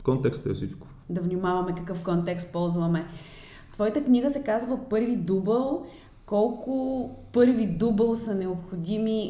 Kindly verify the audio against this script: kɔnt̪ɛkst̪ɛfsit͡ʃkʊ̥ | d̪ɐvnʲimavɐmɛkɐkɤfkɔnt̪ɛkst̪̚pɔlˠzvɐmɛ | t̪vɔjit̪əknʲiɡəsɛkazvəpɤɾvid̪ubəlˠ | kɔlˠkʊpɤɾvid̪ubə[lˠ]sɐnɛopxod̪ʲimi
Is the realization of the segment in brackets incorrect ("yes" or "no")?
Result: no